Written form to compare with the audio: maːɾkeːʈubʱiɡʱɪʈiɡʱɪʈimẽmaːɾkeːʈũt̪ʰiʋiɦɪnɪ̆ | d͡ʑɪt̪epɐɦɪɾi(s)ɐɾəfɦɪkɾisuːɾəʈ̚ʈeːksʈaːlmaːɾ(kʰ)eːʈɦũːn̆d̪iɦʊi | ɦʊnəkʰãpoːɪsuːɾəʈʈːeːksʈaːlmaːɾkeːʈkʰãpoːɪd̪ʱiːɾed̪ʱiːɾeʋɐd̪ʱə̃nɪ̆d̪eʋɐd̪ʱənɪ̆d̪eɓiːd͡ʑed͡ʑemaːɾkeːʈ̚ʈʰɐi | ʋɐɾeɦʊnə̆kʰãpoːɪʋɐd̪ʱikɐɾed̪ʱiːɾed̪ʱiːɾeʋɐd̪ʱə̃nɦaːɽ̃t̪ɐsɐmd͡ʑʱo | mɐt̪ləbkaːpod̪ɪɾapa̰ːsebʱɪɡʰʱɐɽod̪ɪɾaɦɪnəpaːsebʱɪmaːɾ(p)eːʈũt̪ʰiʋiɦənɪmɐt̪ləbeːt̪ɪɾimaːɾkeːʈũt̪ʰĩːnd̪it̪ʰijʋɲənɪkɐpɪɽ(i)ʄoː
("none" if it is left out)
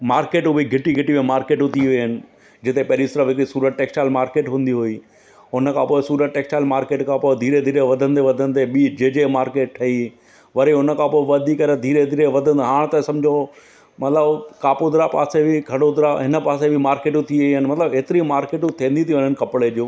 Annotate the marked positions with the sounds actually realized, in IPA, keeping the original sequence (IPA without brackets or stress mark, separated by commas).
s, k, k, e